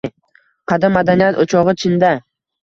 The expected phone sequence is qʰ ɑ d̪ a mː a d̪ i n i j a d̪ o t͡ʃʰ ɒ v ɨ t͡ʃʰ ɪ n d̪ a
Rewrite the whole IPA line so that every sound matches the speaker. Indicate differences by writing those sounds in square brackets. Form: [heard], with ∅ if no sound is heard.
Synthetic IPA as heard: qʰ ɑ d̪ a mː a d̪ [a] n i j a [t̪] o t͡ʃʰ ɒ [ʁ] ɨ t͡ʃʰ ɪ n d̪ a